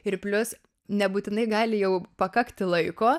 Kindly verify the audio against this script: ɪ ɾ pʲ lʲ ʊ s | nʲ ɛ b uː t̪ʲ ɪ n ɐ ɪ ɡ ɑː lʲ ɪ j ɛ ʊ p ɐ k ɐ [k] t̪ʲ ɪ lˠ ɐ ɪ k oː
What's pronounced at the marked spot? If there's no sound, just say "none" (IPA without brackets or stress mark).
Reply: k